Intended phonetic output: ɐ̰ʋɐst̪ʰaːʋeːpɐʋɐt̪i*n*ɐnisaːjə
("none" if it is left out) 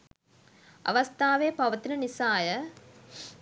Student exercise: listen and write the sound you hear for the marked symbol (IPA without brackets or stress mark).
n